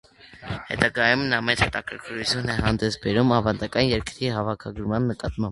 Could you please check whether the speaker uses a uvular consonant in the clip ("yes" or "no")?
no